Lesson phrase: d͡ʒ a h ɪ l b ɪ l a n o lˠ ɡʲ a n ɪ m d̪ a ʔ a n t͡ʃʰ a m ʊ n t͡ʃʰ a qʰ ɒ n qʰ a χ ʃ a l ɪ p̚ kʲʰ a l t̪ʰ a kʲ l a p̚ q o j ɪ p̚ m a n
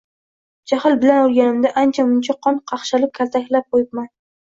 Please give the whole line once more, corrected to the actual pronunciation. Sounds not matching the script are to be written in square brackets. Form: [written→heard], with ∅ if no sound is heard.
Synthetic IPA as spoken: d͡ʒ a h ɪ l b ɪ l a n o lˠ ɡʲ a n ɪ m d̪ a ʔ a n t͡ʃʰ a m ʊ n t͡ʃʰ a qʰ ɒ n qʰ [a→ɑ] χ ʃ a l ɪ p̚ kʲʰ a l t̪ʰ a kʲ l a p̚ q o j ɪ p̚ m a n